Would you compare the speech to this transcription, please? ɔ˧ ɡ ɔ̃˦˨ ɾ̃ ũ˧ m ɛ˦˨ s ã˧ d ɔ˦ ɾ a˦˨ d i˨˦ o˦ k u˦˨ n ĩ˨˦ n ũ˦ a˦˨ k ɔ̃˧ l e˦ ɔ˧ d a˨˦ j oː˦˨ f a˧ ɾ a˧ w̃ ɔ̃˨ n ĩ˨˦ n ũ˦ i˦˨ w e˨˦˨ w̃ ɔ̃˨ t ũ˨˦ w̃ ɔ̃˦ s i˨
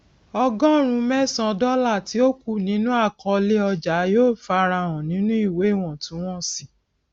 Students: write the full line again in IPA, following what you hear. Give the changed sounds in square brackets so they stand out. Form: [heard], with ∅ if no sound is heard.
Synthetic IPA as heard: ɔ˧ ɡ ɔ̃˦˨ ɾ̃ ũ˧ m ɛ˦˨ s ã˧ d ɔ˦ [l] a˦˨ [t] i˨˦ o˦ k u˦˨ n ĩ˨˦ n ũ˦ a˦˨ k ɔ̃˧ l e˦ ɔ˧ [d͡ʒ] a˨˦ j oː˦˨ f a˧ ɾ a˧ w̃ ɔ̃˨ n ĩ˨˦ n ũ˦ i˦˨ w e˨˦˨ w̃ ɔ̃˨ t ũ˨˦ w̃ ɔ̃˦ s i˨